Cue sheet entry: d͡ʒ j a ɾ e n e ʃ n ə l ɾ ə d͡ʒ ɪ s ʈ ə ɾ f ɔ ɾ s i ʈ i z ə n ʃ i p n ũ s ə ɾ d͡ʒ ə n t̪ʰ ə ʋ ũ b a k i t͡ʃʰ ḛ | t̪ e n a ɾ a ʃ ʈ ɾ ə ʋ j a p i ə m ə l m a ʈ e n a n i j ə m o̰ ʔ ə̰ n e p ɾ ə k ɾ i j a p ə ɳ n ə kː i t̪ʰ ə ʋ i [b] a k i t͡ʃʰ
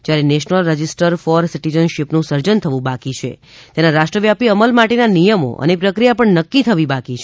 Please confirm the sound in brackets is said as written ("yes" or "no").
yes